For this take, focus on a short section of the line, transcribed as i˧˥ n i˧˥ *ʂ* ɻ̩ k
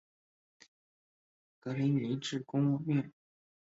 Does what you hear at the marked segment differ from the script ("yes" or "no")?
yes